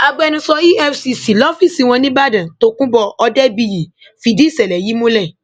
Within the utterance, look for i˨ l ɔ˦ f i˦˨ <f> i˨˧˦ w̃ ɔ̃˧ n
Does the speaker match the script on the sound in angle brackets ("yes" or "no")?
no